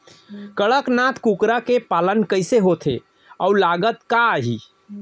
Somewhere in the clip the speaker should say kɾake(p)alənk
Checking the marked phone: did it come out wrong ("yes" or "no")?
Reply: no